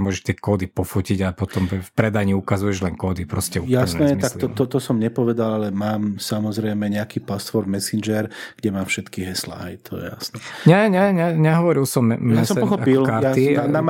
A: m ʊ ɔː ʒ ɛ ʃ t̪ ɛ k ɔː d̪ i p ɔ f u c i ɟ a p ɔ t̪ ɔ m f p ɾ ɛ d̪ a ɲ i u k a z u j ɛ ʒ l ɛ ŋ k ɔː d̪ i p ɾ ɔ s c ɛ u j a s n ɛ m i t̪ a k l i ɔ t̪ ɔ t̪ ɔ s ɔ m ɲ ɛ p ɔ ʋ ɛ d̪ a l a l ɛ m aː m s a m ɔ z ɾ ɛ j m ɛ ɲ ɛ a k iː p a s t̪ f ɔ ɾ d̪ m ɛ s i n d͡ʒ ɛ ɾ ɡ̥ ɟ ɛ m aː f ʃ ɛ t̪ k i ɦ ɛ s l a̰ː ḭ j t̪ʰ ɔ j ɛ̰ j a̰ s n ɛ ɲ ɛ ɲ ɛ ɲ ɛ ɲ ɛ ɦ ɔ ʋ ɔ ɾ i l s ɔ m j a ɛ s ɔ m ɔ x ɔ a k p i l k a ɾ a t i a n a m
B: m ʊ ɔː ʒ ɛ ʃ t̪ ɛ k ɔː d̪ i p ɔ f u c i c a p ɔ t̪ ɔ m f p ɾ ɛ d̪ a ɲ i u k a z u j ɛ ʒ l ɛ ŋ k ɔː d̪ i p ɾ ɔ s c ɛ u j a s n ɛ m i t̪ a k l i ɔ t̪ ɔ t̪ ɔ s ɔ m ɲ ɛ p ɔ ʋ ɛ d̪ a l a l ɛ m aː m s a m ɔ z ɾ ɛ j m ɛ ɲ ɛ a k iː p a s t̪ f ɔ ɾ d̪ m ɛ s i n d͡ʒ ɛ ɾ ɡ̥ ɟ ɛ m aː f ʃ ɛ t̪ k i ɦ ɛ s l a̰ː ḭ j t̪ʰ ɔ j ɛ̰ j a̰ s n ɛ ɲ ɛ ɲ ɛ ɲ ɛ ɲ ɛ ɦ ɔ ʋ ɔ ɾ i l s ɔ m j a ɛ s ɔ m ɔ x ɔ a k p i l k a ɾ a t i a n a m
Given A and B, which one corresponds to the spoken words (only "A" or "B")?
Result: A